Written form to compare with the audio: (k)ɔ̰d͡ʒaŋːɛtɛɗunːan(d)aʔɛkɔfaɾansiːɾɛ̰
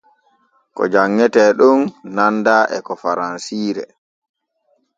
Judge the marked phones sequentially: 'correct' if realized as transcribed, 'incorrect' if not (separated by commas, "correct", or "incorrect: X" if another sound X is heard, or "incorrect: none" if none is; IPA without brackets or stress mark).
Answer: correct, correct